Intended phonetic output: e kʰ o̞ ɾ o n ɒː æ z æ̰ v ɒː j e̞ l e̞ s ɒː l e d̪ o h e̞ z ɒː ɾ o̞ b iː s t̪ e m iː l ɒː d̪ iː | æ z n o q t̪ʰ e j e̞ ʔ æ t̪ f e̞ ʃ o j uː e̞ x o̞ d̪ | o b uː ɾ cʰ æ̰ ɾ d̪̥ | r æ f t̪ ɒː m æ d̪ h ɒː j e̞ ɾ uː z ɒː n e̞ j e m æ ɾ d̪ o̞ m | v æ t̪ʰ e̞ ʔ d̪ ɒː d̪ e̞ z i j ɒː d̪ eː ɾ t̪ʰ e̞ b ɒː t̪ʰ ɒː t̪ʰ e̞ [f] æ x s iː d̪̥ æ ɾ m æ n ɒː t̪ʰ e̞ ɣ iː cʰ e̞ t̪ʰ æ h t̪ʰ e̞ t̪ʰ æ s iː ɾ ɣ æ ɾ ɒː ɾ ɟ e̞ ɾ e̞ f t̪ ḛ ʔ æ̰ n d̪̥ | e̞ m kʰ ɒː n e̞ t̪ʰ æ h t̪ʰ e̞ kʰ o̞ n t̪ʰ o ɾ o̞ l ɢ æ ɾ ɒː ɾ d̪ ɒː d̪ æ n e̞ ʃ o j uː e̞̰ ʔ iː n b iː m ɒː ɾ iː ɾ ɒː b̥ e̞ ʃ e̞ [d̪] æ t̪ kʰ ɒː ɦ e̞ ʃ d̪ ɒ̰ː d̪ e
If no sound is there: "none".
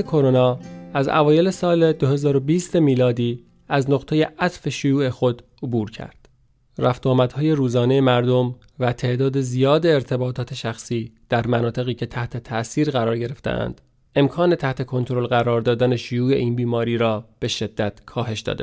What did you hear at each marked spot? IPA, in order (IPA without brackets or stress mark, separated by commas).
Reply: ʃ, d̪ː